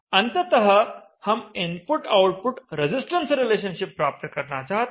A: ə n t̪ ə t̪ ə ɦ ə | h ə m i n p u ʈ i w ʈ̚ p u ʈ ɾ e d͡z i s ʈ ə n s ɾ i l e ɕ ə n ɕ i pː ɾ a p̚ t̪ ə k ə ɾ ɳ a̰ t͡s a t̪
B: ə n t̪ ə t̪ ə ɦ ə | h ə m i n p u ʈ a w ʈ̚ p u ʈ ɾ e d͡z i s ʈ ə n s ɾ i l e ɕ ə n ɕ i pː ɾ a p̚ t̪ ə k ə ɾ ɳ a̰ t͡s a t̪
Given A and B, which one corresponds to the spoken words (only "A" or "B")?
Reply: B